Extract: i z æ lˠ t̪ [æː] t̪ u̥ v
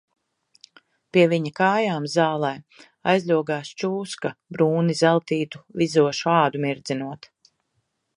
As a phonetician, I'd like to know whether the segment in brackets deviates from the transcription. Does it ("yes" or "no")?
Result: yes